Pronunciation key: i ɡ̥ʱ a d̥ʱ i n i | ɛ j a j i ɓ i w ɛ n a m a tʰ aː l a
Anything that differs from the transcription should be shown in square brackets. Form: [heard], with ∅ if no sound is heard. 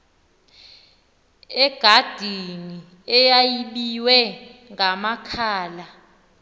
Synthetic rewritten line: [ɛ] ɡ̥ʱ a d̥ʱ i n i | ɛ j a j i ɓ i w ɛ [ŋ] a m a [kʰ] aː l a